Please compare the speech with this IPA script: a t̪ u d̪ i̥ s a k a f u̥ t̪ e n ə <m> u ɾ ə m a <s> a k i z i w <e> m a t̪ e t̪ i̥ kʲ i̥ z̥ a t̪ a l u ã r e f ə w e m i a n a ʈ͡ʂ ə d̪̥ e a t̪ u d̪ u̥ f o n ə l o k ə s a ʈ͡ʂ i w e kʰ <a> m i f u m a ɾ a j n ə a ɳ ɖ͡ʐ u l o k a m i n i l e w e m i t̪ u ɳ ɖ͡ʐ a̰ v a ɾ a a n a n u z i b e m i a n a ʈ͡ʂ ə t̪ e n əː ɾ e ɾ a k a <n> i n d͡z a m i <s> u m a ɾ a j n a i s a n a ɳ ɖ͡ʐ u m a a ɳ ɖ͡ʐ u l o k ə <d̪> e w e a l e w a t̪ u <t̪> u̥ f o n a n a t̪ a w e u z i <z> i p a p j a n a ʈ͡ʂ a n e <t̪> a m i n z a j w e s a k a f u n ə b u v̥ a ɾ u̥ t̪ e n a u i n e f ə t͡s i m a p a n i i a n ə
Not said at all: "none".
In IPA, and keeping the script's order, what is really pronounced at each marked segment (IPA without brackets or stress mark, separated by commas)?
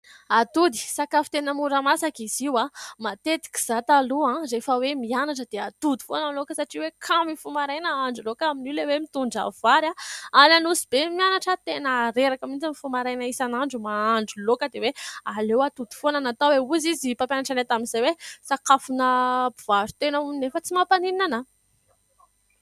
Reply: m, s, a, a, m, f, d̪, d̪, z, t̪